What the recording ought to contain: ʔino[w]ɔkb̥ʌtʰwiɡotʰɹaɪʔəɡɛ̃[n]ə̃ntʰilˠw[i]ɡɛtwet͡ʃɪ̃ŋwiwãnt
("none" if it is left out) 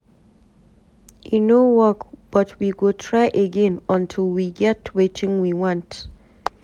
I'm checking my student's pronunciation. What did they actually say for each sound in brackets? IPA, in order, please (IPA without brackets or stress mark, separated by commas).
w, n, i